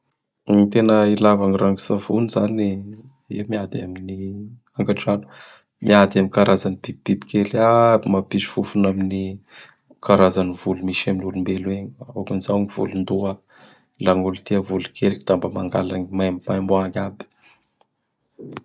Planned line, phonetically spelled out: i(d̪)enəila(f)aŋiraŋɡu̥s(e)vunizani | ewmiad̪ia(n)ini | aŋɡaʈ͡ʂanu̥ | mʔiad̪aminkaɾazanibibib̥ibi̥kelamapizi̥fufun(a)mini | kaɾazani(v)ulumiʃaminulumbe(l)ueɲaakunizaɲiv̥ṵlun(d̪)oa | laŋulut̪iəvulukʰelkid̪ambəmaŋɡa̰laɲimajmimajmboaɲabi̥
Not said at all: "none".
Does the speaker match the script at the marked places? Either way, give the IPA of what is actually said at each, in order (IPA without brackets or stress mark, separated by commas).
t̪, v, a, m, a, v, l, d̪